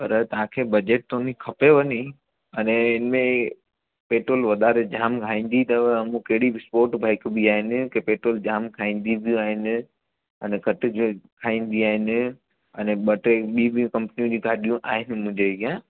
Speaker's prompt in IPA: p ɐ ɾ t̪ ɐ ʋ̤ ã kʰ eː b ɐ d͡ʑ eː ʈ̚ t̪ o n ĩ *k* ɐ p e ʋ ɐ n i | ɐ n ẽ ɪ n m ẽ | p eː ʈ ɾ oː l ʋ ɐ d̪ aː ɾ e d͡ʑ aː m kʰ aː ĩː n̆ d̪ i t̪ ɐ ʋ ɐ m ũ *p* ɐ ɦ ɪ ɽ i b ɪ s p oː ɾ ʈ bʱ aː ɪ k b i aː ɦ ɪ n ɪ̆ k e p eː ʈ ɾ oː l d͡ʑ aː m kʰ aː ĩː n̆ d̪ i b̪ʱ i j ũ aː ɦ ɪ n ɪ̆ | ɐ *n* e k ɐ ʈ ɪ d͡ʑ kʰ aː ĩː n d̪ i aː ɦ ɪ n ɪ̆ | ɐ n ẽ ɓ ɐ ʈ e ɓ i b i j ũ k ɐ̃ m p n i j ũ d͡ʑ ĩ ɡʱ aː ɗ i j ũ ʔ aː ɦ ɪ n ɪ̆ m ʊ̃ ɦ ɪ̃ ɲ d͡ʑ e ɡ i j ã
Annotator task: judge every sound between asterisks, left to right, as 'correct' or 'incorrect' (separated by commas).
incorrect, incorrect, correct